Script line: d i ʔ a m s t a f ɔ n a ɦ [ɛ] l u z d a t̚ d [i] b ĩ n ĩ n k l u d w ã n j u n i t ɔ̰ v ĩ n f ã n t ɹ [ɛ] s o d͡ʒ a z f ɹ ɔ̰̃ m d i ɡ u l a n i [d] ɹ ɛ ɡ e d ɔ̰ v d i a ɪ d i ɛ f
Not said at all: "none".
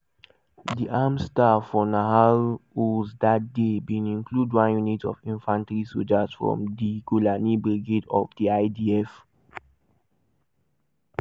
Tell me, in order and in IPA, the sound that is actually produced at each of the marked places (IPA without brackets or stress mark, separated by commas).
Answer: a, e, i, b